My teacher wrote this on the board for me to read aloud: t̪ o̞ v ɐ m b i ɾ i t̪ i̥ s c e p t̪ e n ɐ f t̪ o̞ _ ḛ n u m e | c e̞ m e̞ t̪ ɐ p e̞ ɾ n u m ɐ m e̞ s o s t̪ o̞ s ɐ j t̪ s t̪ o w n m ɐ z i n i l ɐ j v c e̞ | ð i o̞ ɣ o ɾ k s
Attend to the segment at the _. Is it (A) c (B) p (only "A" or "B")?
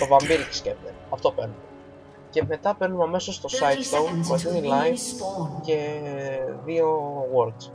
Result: B